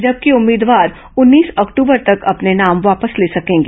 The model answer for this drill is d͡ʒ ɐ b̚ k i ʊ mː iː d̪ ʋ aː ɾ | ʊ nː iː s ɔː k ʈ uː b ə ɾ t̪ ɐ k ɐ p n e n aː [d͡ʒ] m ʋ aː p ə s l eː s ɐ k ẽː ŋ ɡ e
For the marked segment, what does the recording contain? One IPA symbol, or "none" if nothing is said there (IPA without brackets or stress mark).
none